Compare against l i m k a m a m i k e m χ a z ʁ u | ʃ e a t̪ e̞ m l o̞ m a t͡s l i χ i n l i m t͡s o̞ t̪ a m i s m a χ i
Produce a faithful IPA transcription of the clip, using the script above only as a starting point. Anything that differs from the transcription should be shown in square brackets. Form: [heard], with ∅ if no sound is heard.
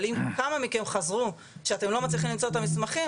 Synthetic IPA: l i m k a m a m i k e m χ a z ʁ u | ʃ e a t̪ e̞ m l o̞ m a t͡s l i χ i [m] l i m t͡s o̞ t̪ a m i s m a χ i